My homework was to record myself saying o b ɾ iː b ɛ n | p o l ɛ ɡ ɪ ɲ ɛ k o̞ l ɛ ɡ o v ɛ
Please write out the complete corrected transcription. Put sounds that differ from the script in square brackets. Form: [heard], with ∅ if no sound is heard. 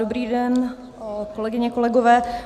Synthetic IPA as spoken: o b ɾ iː [d] ɛ n | [k] o l ɛ ɡ ɪ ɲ ɛ k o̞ l ɛ ɡ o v [ɛː]